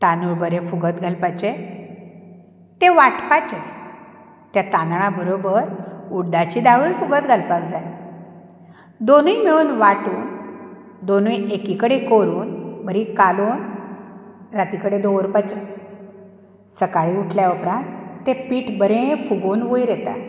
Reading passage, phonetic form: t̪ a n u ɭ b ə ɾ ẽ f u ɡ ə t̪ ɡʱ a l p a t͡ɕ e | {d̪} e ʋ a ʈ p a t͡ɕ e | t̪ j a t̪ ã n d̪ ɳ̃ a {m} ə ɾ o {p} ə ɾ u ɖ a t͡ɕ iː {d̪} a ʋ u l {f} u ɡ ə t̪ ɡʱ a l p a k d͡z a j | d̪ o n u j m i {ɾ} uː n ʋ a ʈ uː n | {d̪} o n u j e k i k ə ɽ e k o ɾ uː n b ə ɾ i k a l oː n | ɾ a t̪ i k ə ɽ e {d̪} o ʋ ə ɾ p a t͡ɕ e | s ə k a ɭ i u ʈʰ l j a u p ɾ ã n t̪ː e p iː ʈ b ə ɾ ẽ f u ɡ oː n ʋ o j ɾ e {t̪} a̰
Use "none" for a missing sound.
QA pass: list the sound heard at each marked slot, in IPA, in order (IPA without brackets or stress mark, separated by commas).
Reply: t̪, b, b, d̪, f, ɭ, d̪, d̪, t̪